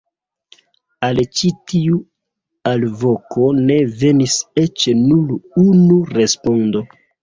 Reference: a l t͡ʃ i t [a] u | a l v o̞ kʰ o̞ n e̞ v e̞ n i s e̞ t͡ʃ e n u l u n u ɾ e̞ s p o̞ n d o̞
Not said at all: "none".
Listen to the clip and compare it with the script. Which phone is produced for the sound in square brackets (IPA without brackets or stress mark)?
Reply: i